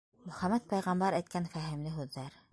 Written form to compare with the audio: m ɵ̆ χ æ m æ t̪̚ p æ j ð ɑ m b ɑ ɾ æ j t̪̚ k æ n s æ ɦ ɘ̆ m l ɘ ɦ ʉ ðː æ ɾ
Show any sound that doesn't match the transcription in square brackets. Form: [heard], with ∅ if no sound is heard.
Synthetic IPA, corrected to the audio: m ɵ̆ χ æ m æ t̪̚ p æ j [ʁ] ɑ m b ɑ ɾ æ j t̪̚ k æ n [f] æ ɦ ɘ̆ m l ɘ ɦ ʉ ðː æ ɾ